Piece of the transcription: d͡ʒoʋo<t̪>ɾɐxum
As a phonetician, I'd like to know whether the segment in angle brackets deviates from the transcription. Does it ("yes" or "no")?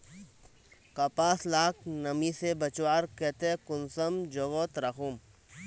no